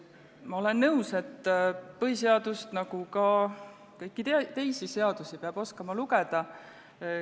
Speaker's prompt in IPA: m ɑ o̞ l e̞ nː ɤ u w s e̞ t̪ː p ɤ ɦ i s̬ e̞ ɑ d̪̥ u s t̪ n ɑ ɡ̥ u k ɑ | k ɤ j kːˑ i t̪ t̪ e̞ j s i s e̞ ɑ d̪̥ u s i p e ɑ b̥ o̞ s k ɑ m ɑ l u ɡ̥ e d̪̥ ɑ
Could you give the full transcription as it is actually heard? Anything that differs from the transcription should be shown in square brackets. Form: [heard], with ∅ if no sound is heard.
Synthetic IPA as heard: m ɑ o̞ l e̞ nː ɤ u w s e̞ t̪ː p ɤ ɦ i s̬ e̞ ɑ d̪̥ u s t̪ n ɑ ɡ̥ u k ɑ | k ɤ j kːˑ i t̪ t̪ e̞ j s i s e̞ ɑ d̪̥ u s i p e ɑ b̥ o̞ s k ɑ m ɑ l u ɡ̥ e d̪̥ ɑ